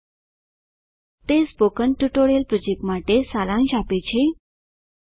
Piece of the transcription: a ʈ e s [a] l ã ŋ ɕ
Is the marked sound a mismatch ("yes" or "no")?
no